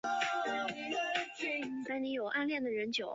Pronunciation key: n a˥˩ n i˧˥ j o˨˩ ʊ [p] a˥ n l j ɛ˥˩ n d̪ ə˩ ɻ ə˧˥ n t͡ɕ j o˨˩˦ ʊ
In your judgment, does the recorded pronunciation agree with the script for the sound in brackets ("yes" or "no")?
no